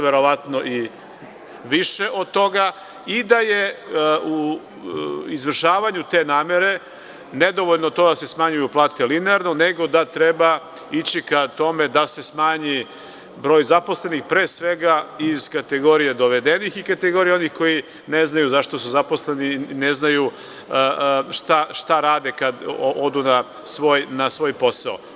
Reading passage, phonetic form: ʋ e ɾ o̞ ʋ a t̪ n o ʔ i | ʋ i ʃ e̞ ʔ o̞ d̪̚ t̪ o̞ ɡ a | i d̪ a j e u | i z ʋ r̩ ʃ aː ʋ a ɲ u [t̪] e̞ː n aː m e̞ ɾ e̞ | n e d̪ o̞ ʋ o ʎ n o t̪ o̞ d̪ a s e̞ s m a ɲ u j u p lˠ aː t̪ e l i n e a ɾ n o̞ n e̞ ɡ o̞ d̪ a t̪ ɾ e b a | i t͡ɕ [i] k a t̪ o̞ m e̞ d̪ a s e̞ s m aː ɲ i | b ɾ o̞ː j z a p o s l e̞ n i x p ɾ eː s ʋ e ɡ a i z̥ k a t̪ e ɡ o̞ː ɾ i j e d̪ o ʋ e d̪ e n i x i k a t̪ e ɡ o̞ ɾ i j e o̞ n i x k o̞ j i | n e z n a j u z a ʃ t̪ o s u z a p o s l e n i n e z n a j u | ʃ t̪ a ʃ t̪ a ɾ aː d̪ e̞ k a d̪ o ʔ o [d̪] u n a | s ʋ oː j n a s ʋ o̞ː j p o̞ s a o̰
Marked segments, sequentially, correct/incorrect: correct, correct, correct

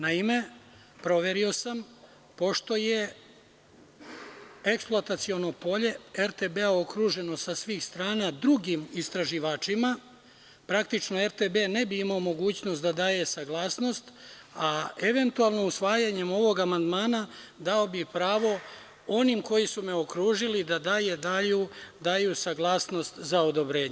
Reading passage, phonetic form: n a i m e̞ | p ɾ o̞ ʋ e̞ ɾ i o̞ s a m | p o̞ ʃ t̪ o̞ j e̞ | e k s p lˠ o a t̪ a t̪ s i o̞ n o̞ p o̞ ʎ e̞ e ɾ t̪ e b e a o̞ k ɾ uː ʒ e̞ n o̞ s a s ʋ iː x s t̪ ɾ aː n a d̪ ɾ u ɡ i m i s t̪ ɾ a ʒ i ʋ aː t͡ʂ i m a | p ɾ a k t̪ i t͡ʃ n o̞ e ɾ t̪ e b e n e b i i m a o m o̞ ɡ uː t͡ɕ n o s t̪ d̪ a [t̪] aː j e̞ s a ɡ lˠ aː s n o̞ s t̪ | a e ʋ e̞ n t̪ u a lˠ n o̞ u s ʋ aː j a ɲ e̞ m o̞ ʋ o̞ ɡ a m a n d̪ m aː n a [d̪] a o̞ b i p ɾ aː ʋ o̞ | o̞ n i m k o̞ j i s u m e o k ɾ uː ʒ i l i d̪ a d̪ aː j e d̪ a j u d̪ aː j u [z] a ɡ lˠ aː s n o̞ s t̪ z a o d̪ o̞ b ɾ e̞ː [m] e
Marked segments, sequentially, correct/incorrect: incorrect: d̪, correct, incorrect: s, incorrect: ɲ

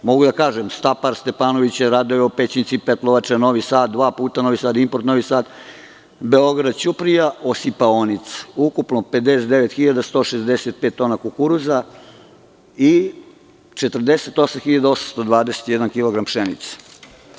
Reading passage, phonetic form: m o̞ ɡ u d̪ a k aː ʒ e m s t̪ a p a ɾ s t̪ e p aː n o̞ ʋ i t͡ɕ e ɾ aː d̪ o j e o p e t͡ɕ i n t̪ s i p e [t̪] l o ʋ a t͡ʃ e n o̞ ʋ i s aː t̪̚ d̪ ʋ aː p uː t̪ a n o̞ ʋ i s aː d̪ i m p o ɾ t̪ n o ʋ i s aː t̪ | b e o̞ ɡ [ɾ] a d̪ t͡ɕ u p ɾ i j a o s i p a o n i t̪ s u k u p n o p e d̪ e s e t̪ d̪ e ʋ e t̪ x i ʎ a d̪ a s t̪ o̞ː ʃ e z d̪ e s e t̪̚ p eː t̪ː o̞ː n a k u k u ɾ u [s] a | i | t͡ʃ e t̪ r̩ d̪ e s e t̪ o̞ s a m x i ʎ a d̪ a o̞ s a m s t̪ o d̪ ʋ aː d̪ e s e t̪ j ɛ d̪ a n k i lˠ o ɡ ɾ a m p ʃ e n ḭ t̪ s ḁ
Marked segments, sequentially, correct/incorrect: correct, correct, incorrect: z

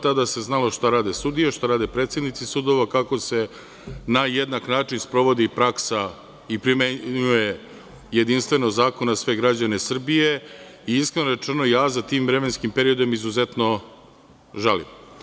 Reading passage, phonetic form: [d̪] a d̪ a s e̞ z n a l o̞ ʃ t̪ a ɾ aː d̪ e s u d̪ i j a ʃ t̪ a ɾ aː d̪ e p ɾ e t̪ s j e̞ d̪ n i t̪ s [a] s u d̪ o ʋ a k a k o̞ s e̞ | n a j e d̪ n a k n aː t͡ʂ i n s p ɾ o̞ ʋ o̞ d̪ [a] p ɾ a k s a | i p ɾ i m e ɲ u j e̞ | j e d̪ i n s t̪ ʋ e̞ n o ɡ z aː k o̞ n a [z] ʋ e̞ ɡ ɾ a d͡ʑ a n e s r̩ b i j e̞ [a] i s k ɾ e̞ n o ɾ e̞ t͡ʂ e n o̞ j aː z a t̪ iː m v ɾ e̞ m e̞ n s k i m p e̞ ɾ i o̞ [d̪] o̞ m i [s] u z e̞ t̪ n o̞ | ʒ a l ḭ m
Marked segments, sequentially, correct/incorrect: incorrect: t̪, incorrect: i, incorrect: i, incorrect: s, incorrect: i, correct, incorrect: z

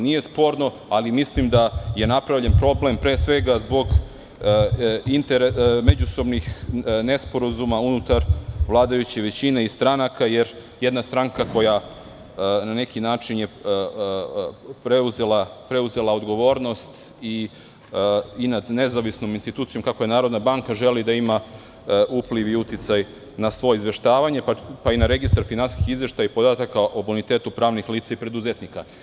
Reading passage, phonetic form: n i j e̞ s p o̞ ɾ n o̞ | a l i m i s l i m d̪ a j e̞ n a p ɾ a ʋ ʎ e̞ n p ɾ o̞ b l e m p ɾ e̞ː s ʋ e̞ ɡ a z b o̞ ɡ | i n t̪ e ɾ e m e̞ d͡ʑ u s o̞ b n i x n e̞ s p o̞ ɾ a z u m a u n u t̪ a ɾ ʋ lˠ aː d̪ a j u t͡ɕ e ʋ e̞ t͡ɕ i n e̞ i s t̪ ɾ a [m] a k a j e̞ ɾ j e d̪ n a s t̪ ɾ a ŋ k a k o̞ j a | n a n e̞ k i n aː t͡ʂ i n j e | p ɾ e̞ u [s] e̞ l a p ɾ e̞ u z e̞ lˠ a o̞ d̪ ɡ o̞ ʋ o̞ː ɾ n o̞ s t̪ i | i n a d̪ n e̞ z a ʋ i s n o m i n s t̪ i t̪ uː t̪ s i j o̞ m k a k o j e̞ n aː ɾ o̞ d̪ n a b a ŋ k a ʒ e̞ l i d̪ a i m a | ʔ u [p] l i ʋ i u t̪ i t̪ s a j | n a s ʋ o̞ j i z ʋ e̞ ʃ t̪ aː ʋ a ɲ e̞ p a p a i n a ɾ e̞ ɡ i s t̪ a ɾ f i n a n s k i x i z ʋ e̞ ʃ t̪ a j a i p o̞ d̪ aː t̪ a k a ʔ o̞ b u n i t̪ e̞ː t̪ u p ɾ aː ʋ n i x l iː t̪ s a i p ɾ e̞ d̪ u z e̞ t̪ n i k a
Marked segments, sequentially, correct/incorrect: incorrect: n, incorrect: z, correct

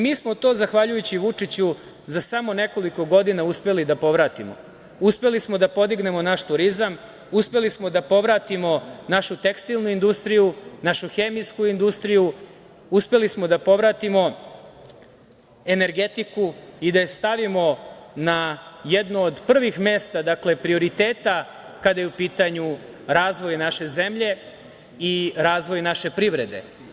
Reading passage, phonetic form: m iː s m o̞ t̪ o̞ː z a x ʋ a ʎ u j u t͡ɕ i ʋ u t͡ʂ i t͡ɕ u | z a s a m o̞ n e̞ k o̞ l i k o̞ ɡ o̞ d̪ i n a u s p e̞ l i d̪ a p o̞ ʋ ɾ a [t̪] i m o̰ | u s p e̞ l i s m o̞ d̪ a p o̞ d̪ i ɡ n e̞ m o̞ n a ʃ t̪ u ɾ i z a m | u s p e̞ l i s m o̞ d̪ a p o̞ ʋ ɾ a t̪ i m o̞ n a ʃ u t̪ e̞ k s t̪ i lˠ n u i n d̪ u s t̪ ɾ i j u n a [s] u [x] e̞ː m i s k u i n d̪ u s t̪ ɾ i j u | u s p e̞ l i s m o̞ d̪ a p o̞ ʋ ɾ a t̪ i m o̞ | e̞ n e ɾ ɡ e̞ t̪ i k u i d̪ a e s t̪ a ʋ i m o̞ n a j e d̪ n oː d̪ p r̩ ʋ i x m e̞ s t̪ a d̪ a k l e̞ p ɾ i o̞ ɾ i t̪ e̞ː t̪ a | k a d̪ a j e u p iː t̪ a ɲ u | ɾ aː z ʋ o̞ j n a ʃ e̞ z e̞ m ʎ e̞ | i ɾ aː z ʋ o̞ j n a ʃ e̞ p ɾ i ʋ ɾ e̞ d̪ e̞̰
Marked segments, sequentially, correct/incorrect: correct, incorrect: ʃ, correct

